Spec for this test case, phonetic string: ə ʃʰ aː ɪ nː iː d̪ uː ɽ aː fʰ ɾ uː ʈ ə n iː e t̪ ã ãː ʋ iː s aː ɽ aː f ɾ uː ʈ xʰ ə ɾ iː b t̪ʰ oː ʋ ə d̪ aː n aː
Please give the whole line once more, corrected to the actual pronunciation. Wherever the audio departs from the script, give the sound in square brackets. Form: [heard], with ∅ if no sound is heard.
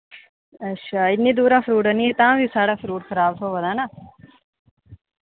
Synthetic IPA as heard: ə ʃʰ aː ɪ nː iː d̪ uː [ɾ] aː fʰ ɾ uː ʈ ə n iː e t̪ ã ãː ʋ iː s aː ɽ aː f ɾ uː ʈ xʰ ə ɾ [aː] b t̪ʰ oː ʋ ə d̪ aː n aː

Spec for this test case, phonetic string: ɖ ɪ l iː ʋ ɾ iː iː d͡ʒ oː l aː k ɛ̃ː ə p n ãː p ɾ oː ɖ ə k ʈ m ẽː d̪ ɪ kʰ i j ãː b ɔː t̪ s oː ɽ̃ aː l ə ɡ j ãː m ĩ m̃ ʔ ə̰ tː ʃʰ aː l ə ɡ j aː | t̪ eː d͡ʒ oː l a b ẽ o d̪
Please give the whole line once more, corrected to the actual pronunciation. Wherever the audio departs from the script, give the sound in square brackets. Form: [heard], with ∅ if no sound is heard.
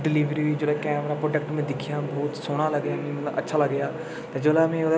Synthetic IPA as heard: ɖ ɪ l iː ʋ ɾ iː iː d͡ʒ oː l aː k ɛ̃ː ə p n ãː p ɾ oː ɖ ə k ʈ m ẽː d̪ ɪ kʰ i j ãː b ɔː t̪ s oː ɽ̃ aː l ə ɡ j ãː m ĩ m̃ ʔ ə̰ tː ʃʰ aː l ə ɡ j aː | t̪ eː d͡ʒ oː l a [m] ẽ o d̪

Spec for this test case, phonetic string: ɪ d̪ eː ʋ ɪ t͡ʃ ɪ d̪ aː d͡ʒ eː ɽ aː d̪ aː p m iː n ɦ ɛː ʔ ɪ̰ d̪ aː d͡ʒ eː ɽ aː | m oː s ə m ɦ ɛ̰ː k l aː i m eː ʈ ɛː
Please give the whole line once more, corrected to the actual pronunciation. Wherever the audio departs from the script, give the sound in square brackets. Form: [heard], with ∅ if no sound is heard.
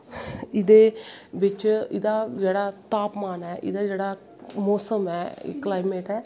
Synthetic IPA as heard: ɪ d̪ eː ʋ ɪ t͡ʃ ɪ d̪ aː d͡ʒ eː ɽ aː [t̪] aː p m [aː] n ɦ ɛː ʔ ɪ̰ d̪ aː d͡ʒ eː ɽ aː | m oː s ə m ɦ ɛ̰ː k l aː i m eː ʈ ɛː

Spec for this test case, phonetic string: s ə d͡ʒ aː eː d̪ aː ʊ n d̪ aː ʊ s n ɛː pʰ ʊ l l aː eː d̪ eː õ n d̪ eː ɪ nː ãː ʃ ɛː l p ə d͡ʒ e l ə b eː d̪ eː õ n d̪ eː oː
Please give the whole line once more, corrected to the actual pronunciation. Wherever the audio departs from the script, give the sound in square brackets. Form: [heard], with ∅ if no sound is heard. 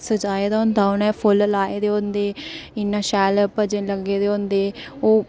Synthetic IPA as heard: s ə d͡ʒ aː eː d̪ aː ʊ n d̪ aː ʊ [∅] n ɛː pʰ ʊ l l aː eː d̪ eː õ n d̪ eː ɪ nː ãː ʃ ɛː l p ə d͡ʒ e l ə [ɡ] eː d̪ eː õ n d̪ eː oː

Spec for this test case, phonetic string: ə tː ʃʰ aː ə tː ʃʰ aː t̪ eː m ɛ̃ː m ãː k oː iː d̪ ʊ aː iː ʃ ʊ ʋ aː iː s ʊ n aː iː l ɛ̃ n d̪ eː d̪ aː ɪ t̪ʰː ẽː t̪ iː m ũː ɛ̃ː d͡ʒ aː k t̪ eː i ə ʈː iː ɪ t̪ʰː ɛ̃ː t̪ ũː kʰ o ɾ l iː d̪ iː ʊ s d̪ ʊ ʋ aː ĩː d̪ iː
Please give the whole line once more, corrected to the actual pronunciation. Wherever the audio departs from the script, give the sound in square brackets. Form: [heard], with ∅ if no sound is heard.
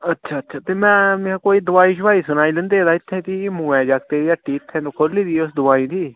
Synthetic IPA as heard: ə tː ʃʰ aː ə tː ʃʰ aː t̪ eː m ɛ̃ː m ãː k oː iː d̪ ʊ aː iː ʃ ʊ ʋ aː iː s ʊ n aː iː l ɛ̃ n d̪ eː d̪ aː ɪ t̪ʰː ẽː t̪ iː m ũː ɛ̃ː d͡ʒ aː k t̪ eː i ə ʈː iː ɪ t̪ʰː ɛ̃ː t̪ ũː kʰ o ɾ l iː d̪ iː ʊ s d̪ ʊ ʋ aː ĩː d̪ iː

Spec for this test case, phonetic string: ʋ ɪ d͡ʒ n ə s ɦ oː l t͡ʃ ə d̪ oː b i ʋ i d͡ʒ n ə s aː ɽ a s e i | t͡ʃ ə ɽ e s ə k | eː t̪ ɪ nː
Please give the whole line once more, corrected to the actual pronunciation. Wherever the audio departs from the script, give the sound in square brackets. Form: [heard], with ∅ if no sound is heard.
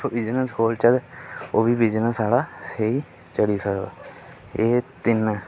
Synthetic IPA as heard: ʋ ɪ d͡ʒ n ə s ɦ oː l t͡ʃ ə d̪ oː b i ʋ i d͡ʒ n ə s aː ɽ a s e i | t͡ʃ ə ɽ [i] s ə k | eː t̪ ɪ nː

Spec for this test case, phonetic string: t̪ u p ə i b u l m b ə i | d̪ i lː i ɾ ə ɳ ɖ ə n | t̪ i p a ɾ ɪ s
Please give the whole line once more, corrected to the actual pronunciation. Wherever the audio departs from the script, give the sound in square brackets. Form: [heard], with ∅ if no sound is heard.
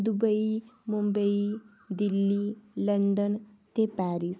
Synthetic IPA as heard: [d̪] u [b] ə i [m] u [∅] m b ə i | d̪ i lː i [l] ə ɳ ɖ ə n | t̪ [e] p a ɾ [i] s

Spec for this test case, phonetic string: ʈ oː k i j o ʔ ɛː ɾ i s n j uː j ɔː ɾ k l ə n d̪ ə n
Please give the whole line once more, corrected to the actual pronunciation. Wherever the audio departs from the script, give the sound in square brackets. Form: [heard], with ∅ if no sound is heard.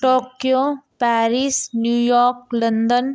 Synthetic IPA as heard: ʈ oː k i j o [p] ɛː ɾ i s n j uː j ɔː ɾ k l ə n d̪ ə n

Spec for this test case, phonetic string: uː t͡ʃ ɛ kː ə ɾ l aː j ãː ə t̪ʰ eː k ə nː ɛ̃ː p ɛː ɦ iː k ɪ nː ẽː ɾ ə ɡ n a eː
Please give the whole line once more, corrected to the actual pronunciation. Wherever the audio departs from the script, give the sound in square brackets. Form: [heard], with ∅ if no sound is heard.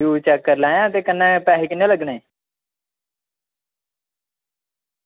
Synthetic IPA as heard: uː t͡ʃ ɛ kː ə ɾ l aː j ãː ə [t̪] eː k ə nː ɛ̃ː p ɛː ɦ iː k ɪ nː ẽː [l] ə ɡ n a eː

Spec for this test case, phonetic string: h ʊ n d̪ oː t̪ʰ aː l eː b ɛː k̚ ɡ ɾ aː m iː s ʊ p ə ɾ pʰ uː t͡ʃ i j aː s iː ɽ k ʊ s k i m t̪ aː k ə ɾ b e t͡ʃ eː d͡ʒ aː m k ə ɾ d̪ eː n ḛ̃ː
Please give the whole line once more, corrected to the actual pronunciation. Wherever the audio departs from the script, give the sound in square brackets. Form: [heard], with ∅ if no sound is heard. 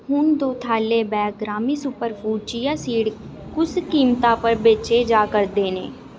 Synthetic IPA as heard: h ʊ n d̪ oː t̪ʰ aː l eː b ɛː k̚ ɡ ɾ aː m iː s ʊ p ə ɾ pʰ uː t͡ʃ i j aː s iː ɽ k ʊ s k [iː] m t̪ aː [p] ə ɾ b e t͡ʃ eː d͡ʒ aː [∅] k ə ɾ d̪ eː n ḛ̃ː

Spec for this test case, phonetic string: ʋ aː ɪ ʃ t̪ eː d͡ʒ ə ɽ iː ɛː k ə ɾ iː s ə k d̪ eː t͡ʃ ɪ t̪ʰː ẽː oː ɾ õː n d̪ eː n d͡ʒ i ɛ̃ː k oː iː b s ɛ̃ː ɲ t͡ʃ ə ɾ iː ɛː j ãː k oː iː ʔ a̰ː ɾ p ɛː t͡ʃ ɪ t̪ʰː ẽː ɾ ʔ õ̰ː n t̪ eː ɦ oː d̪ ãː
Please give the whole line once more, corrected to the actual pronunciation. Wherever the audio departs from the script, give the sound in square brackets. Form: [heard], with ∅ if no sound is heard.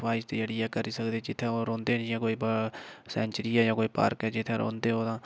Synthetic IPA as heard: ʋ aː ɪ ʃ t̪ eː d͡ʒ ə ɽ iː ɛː k ə ɾ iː s ə k d̪ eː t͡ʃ ɪ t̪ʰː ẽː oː ɾ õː n d̪ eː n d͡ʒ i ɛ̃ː k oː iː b s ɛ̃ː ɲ t͡ʃ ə ɾ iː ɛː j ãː k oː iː [p] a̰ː ɾ [k] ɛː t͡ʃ ɪ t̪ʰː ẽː ɾ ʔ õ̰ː n [d̪] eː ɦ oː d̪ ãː

